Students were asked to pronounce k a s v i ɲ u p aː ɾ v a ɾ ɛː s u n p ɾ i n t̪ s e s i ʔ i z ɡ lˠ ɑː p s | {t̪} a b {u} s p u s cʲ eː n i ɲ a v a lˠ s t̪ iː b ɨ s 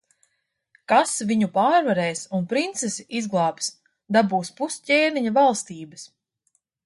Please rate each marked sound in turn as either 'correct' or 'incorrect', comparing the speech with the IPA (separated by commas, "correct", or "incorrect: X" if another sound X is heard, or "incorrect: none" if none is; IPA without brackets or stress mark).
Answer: incorrect: d̪, incorrect: uː